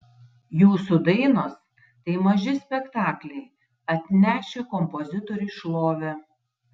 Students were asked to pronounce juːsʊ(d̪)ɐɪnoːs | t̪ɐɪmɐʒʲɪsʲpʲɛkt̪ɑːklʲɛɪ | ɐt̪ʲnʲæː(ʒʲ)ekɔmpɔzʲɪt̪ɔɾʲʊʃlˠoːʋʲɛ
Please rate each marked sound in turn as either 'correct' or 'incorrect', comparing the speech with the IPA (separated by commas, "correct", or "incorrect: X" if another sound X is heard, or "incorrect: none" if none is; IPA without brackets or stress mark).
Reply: correct, incorrect: ʃʲ